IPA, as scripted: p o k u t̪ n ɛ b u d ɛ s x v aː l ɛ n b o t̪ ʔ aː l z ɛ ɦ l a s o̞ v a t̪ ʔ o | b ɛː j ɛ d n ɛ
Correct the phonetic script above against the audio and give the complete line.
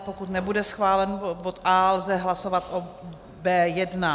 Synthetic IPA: p o k u t̪ n ɛ b u d ɛ s x v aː l ɛ n b o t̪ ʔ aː l z ɛ ɦ l a s o̞ v a t̪ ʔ o | b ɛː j ɛ d n a